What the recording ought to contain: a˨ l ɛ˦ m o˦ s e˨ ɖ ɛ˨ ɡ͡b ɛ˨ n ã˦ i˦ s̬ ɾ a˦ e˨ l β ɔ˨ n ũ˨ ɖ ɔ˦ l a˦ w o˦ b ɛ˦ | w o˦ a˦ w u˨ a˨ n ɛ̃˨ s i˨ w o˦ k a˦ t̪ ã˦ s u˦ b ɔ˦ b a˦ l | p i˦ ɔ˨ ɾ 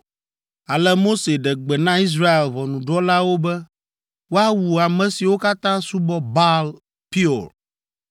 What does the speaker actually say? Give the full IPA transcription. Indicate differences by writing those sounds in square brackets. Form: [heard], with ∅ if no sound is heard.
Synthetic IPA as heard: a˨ l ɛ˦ m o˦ s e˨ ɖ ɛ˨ ɡ͡b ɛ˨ n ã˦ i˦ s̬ ɾ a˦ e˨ l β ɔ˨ n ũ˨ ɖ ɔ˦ l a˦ w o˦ b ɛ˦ | w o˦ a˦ w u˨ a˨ [m] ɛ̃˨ s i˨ w o˦ k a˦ t̪ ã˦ s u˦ b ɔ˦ b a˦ l | p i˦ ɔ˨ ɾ